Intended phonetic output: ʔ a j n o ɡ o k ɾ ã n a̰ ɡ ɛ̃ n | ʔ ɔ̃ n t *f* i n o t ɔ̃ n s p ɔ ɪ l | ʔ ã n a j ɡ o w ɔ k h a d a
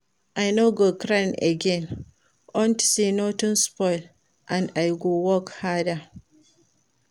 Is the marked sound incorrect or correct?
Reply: incorrect